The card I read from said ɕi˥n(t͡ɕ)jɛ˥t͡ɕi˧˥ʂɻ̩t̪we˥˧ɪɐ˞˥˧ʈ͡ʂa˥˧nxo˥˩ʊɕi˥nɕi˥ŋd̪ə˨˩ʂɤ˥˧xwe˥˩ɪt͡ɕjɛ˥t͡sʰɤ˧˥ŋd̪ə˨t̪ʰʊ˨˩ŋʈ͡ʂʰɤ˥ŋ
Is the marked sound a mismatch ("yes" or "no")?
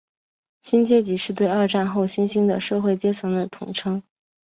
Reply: no